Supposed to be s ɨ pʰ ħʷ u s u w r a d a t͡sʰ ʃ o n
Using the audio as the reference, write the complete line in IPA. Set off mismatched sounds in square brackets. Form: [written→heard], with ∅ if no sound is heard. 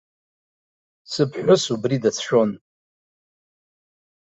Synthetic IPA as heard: s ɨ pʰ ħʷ [u→ʊ] s u [w→b] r [a→i] d a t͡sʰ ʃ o n